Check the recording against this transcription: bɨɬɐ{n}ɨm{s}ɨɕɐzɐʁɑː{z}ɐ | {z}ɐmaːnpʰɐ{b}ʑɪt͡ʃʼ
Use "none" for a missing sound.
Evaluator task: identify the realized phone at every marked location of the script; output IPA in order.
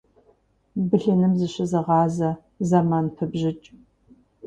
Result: n, z, z, z, b

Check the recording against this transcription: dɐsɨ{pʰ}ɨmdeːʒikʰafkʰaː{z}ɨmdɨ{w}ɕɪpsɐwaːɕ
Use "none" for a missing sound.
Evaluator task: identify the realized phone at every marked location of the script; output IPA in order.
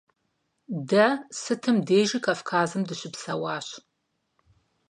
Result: tʰ, z, none

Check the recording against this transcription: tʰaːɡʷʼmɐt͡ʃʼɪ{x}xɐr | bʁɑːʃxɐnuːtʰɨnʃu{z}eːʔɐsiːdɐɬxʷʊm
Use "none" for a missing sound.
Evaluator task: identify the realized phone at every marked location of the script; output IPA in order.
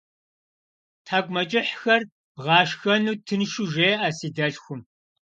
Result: ħ, ʒ

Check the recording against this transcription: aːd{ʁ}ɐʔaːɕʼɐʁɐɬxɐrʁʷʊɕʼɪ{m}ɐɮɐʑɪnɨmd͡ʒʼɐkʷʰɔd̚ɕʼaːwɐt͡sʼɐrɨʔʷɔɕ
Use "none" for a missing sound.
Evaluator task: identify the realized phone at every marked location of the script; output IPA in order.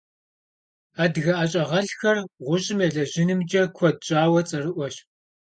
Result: ɣ, m

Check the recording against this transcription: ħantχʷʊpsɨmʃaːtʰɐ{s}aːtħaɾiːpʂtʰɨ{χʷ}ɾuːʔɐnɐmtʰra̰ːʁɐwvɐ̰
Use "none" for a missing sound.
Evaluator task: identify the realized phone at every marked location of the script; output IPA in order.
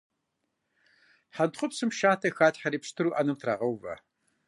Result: x, none

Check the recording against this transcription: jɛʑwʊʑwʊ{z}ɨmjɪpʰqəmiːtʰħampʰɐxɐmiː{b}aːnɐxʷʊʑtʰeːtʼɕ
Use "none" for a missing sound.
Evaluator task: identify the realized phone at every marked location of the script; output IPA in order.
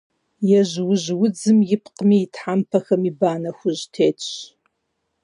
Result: d͡z, b

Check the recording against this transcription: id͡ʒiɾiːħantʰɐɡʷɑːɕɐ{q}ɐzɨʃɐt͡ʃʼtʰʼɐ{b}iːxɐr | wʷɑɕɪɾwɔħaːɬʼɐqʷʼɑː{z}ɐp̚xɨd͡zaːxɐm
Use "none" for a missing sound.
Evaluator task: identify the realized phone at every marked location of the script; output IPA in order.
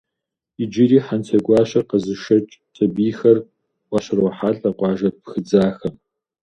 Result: q, b, ʒ

